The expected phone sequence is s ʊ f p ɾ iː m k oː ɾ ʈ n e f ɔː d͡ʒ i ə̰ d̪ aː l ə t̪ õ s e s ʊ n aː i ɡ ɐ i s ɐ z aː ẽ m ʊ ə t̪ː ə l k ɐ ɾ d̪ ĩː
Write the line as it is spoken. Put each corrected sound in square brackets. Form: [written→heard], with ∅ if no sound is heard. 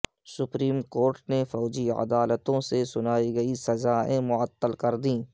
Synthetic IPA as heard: s ʊ [f→∅] p ɾ iː m k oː ɾ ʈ n e f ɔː d͡ʒ i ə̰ d̪ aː l ə t̪ õ s e s ʊ n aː i ɡ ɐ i s ɐ z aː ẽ m ʊ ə t̪ː ə l k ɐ ɾ d̪ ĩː